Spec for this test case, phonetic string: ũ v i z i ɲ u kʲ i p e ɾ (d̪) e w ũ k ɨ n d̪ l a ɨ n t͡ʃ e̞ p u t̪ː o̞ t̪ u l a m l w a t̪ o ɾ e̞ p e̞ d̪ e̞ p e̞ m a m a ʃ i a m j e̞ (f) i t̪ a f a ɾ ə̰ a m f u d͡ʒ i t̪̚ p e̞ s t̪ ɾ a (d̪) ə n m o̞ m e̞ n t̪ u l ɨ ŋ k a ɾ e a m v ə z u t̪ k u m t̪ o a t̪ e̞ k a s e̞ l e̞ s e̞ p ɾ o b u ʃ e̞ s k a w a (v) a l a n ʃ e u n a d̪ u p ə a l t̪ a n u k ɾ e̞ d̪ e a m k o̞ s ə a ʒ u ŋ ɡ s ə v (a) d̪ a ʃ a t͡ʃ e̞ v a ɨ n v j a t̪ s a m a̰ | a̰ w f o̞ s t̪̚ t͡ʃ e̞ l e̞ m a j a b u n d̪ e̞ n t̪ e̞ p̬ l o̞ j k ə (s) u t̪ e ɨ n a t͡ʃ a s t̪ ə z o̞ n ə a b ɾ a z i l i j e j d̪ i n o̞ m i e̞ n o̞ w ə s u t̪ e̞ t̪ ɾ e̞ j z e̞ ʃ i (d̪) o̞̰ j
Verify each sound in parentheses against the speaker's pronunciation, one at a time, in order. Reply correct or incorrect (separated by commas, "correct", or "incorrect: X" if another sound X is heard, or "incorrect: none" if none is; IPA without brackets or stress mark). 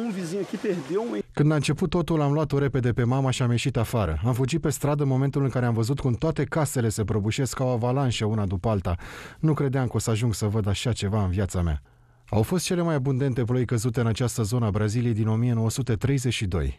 correct, incorrect: ʃ, correct, correct, incorrect: ə, incorrect: z, correct